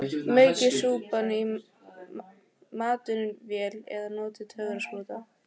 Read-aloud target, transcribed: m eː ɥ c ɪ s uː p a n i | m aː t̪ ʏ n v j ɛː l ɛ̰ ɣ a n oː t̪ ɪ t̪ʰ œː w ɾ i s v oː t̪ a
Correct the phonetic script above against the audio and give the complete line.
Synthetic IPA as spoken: m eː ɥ c ɪ s uː p a n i | m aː t̪ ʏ n v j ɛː l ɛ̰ ð a n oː t̪ ɪ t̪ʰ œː ɣ ɾ a s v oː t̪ a